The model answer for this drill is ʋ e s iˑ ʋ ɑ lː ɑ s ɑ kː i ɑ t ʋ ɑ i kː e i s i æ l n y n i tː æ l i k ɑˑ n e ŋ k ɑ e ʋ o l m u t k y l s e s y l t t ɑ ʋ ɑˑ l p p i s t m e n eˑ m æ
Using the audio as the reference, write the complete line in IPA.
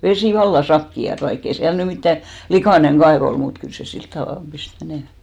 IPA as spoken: ʋ e s iˑ ʋ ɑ lː ɑ s ɑ kː i ɑ t ʋ ɑ i kː e i s i æ l n y m i tː æ l i k ɑˑ n e ŋ k ɑ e ʋ o l m u t k y l s e s i l t t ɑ ʋ ɑˑ l p p i s t m e n eˑ m æ